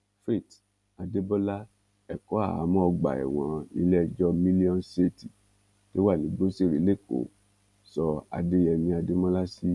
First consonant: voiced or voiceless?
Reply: voiceless